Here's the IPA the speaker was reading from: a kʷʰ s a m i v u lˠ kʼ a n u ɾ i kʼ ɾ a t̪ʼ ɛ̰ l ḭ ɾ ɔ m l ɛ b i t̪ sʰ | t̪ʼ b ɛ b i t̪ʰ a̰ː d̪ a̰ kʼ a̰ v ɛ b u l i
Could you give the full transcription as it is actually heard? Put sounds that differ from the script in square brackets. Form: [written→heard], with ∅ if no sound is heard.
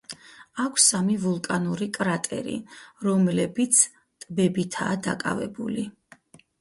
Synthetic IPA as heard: a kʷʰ s a m i v u lˠ kʼ a n u ɾ i kʼ ɾ a t̪ʼ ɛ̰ [l→ɾ] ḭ ɾ ɔ m l ɛ b i t̪ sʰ | t̪ʼ b ɛ b i t̪ʰ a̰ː d̪ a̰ kʼ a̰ v ɛ b u l i

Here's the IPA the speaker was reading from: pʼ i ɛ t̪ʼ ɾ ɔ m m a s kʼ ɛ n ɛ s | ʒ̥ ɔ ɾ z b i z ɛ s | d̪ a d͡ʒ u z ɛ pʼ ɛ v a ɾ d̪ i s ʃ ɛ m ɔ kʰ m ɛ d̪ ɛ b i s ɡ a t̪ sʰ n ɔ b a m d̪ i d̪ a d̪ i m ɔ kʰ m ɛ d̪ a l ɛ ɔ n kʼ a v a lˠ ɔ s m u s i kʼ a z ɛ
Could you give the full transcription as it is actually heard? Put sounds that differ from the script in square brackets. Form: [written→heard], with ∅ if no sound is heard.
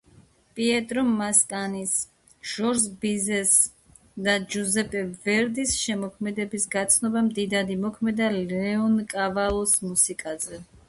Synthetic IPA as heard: pʼ i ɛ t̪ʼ ɾ ɔ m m a s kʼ [ɛ→a] n [ɛ→i] s | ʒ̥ ɔ ɾ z b i z ɛ s | d̪ a d͡ʒ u z ɛ pʼ ɛ v [a→ɛ] ɾ d̪ i s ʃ ɛ m ɔ kʰ m ɛ d̪ ɛ b i s ɡ a t̪ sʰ n ɔ b a m d̪ i d̪ a d̪ i m ɔ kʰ m ɛ d̪ a l ɛ ɔ n kʼ a v a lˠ ɔ s m u s i kʼ a z ɛ

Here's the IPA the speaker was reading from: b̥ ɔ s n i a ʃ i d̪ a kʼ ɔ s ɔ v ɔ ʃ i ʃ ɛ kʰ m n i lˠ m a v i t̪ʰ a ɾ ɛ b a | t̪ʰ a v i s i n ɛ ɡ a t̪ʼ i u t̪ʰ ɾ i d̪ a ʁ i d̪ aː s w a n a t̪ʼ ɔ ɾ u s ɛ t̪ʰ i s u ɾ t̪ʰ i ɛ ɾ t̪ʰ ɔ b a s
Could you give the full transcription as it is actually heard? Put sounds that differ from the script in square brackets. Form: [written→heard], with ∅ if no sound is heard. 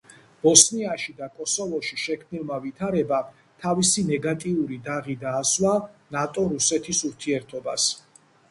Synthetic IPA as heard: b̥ ɔ s n i a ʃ i d̪ a kʼ ɔ s ɔ v ɔ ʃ i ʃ ɛ kʰ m n i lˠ m a v i t̪ʰ a ɾ ɛ b a | t̪ʰ a v i s i n ɛ ɡ a t̪ʼ i u [t̪ʰ→∅] ɾ i d̪ a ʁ i d̪ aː s w a n a t̪ʼ ɔ ɾ u s ɛ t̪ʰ i s u ɾ t̪ʰ i ɛ ɾ t̪ʰ ɔ b a s

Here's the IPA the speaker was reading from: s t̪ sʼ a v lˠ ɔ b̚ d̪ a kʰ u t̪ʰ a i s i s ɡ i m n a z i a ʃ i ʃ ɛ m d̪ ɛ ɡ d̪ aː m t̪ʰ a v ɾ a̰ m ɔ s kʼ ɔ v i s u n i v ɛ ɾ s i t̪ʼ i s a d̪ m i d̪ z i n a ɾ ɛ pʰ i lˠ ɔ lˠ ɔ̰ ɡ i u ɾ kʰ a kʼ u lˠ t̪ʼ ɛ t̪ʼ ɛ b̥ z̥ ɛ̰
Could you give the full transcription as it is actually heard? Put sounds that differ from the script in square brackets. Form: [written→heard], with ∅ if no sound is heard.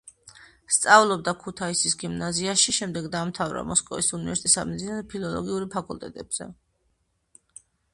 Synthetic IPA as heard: s t̪ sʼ a v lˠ ɔ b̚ d̪ a kʰ u t̪ʰ a i s i s ɡ i m n a z i a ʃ i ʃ ɛ m d̪ ɛ ɡ d̪ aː m t̪ʰ a v ɾ a̰ m ɔ s kʼ ɔ v i s u n i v ɛ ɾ s i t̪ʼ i s a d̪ m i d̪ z i n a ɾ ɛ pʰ i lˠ ɔ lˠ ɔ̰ ɡ i u ɾ [kʰ→pʰ] a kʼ u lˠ t̪ʼ ɛ t̪ʼ ɛ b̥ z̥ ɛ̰

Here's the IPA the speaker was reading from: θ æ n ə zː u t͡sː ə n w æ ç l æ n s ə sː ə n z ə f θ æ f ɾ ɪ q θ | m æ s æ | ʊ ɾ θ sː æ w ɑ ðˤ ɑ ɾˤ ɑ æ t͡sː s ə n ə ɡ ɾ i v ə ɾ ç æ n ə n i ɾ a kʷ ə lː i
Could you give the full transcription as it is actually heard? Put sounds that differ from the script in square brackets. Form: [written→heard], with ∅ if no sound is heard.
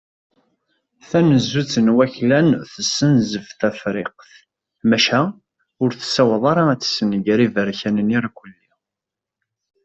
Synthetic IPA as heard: θ æ n ə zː u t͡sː ə n w æ ç l æ n [s→θ] ə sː ə n z ə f θ æ f ɾ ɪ q θ | m æ [s→ʃ] æ | ʊ ɾ θ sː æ w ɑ ðˤ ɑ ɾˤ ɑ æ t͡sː s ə n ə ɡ ɾ i v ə ɾ ç æ n ə n i ɾ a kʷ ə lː i

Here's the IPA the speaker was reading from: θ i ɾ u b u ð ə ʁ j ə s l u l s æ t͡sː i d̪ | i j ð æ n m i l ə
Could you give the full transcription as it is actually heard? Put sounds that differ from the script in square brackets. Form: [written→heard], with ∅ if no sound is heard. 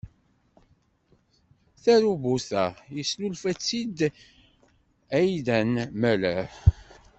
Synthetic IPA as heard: θ [i→æ] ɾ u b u [ð→θ] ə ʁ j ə s l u l [s→f] æ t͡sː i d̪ | [i→æ] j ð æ n m [i→æ] l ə

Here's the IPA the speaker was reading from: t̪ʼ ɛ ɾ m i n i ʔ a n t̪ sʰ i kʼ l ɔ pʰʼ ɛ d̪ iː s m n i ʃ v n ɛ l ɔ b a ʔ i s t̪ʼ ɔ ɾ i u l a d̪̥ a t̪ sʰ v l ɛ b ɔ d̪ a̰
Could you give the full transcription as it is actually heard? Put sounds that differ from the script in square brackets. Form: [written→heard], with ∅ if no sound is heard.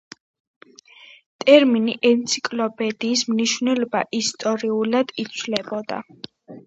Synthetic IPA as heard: t̪ʼ ɛ ɾ m i n i ʔ [a→ɛ] n t̪ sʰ i kʼ l ɔ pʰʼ ɛ d̪ iː s m n i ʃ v n ɛ l ɔ b a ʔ i s t̪ʼ ɔ ɾ i u l a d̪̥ [a→i] t̪ sʰ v l ɛ b ɔ d̪ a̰

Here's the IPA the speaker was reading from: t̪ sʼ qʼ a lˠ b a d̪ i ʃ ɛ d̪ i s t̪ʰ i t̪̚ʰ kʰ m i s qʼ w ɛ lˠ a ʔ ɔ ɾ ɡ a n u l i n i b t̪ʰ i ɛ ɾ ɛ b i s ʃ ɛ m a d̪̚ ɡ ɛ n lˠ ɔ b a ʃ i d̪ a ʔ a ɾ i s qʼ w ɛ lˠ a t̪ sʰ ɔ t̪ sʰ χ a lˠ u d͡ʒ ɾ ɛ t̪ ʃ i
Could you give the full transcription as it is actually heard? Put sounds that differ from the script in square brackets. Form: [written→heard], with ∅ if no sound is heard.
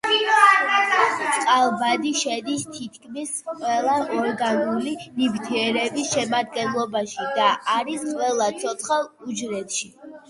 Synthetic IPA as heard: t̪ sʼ qʼ a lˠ b a d̪ i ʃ ɛ d̪ i s t̪ʰ i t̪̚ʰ kʰ m i s qʼ w ɛ lˠ a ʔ ɔ ɾ ɡ a n u l i n i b t̪ʰ i ɛ ɾ ɛ b i s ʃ ɛ m a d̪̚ ɡ ɛ n lˠ ɔ b a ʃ i d̪ a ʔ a ɾ i s qʼ w ɛ lˠ a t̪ sʰ ɔ t̪ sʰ χ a lˠ u d͡ʒ ɾ ɛ t̪ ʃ i

